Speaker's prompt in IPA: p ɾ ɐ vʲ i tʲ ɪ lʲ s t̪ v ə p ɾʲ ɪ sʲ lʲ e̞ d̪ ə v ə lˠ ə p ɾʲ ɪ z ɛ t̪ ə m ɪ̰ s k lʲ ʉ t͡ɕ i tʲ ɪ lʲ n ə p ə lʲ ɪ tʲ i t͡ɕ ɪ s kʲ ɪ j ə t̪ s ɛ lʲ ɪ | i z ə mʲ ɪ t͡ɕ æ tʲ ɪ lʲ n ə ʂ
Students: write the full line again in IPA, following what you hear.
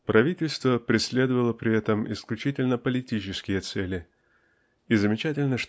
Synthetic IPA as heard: p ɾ ɐ vʲ i tʲ ɪ lʲ s t̪ v ə p ɾʲ ɪ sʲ lʲ e̞ d̪ ə v ə lˠ ə p ɾʲ ɪ ɛ t̪ ə m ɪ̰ s k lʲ ʉ t͡ɕ i tʲ ɪ lʲ n ə p ə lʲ ɪ tʲ i t͡ɕ ɪ s kʲ ɪ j ə t̪ s ɛ lʲ ɪ | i z ə mʲ ɪ t͡ɕ æ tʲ ɪ lʲ n ə ʂ